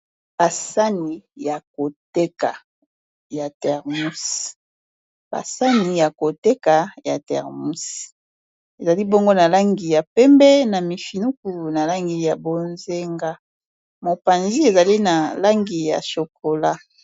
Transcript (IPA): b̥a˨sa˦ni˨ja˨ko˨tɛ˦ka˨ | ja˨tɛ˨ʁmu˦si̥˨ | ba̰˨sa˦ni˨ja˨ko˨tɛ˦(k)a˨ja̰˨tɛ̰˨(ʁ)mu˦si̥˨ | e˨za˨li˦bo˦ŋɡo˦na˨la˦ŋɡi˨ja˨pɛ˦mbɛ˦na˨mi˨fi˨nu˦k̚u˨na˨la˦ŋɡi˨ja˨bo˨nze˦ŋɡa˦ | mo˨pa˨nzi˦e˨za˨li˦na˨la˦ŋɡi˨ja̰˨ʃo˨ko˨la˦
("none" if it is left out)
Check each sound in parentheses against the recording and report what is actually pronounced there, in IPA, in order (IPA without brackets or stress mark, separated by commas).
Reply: k, ʁ